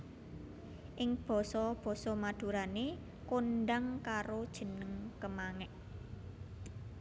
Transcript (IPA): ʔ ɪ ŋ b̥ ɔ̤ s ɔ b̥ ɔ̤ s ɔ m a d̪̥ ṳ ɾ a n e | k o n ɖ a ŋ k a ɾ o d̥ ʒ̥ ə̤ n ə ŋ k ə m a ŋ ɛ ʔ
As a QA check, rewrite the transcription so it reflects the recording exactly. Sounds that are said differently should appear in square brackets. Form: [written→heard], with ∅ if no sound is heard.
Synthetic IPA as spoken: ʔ ɪ ŋ b̥ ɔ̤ s ɔ b̥ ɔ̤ s ɔ m a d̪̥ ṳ ɾ a n e | k o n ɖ a ŋ k a ɾ o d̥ ʒ̥ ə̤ n ə ŋ k ə m a ŋ ɛ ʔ